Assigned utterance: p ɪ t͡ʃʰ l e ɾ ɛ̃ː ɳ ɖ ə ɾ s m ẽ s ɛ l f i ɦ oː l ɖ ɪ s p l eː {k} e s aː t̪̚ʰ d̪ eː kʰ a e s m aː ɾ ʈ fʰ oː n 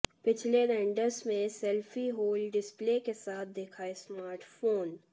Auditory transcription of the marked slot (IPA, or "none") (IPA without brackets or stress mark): k